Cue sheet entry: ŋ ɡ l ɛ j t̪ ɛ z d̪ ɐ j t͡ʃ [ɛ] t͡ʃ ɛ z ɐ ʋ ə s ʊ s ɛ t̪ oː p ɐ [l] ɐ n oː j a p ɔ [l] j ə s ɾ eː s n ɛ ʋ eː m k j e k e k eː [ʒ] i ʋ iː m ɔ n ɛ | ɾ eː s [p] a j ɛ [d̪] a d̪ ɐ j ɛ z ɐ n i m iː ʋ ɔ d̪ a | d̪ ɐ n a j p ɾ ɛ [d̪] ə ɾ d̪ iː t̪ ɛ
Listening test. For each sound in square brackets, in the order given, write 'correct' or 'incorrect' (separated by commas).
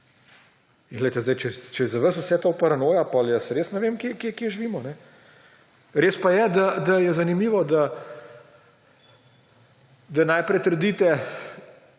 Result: correct, incorrect, correct, correct, correct, correct, incorrect